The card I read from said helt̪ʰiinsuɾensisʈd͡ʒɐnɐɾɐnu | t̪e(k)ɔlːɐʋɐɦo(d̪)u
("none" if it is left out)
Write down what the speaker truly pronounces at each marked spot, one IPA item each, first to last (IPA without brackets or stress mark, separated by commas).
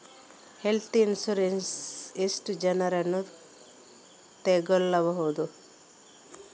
ɡ, d̪